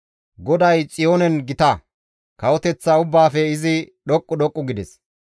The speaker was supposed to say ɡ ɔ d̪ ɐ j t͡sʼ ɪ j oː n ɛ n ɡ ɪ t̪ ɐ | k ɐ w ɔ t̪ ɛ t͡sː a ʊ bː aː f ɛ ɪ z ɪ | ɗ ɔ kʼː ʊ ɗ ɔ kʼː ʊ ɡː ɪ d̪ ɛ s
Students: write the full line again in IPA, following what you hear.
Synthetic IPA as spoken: ɡ ɔ d̪ ɐ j t͡sʼ ɪ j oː n ɛ n ɡ ɪ t̪ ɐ | k ɐ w ɔ t̪ ɛ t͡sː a ʊ bː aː f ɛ ɪ z ɪ | ɗ ɔ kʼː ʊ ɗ ɔ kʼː ʊ ɡ ɪ d̪ ɛ s